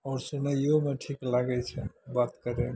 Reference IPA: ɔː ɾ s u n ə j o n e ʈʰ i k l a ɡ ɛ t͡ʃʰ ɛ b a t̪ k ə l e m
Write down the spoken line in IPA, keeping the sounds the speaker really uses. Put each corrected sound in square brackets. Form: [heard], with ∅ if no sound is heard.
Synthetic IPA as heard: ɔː ɾ s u n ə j o [m] e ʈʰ i k l a ɡ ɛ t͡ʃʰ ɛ b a t̪ k ə [ɾ] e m